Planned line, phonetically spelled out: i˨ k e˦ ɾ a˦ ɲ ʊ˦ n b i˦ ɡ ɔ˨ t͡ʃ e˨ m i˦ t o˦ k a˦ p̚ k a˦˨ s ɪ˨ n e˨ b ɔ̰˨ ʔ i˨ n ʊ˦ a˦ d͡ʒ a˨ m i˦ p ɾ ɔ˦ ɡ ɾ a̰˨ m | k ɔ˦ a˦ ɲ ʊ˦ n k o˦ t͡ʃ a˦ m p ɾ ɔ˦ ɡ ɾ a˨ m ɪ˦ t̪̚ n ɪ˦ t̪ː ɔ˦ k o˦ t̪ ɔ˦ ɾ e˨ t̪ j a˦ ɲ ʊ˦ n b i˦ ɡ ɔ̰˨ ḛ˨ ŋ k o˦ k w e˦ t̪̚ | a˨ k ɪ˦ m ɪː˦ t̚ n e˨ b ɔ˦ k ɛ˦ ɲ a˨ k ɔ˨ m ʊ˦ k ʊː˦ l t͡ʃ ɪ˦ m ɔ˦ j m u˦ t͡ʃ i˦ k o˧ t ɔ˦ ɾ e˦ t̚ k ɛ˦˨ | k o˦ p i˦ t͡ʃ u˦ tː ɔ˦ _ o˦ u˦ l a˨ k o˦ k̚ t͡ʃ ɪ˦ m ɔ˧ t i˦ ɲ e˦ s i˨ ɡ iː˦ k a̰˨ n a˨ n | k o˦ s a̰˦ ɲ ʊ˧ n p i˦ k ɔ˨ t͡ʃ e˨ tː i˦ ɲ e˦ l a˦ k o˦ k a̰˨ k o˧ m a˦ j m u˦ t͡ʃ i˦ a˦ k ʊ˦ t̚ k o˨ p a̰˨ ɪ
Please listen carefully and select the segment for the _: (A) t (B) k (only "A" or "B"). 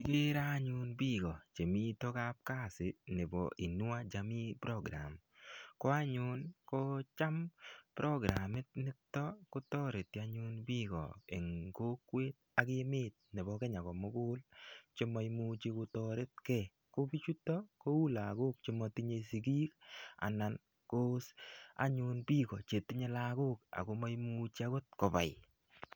B